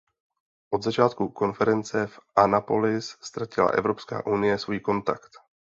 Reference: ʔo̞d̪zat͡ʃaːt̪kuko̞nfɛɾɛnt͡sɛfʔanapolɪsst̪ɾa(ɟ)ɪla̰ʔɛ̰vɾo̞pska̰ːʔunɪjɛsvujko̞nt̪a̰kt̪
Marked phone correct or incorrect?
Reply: incorrect